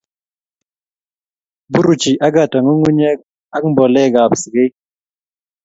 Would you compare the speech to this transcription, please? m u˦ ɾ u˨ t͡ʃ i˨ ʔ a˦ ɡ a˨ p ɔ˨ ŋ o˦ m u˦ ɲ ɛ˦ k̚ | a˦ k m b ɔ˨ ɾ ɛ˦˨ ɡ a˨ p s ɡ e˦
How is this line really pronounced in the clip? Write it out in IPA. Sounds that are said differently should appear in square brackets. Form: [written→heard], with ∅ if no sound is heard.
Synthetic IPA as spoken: [m→b] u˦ ɾ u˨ t͡ʃ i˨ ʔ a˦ ɡ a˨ [p→t] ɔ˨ ŋ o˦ [m→ŋ] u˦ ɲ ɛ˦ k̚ | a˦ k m b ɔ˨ [ɾ→l] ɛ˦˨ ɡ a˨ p s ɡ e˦